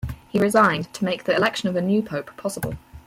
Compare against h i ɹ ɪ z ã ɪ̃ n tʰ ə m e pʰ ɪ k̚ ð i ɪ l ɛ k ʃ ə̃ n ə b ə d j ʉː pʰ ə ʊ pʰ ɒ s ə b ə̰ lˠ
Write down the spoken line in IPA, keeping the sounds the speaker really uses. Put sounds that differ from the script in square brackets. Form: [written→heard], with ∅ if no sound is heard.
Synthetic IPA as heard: h i ɹ ɪ z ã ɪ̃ n tʰ ə m e [pʰ→∅] ɪ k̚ ð i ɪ l ɛ k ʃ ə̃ n ə [b→v] ə [d→n] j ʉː pʰ ə ʊ pʰ ɒ s ə b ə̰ lˠ